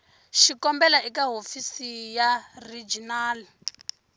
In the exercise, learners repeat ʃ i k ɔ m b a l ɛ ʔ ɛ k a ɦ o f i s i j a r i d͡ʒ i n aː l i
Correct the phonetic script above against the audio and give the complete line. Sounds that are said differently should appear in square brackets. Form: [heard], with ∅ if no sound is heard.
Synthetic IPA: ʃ i k ɔ m b [ɛ] l [a] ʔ [i] k a ɦ o f i s i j a r i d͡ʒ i n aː l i